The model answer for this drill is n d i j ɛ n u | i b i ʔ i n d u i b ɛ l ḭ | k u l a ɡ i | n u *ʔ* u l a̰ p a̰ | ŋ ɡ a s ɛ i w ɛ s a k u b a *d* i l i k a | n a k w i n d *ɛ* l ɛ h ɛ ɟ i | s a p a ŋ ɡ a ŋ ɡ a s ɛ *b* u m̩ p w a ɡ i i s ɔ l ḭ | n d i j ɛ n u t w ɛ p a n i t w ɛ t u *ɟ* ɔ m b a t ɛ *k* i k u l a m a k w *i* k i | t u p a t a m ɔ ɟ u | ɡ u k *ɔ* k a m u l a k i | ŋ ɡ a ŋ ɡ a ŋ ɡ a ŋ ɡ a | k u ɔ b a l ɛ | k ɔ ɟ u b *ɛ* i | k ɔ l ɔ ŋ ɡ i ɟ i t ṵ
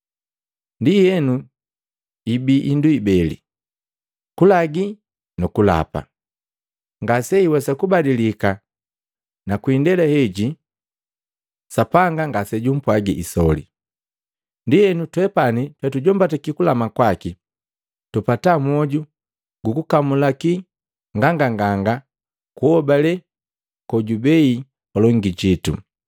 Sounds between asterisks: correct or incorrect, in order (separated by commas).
incorrect, correct, correct, incorrect, correct, correct, incorrect, incorrect, correct